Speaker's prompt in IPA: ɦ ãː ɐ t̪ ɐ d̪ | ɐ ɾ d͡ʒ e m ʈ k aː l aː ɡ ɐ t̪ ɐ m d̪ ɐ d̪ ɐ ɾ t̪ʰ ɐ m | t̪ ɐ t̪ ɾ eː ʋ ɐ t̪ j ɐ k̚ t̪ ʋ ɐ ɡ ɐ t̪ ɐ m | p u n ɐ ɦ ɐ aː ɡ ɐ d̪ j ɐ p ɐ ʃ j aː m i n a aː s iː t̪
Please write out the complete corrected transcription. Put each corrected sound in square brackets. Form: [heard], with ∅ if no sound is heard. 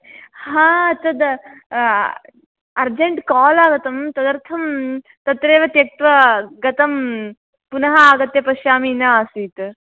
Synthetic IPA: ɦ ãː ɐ t̪ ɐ d̪ | ɐ ɾ d͡ʒ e [ɳ] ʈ k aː l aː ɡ ɐ t̪ ɐ m [t̪] ɐ d̪ ɐ ɾ t̪ʰ ɐ m | t̪ ɐ t̪ ɾ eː ʋ ɐ t̪ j ɐ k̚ t̪ ʋ ɐ ɡ ɐ t̪ ɐ m | p u n ɐ ɦ ɐ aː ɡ ɐ [t̪] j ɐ p ɐ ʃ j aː m i n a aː s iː t̪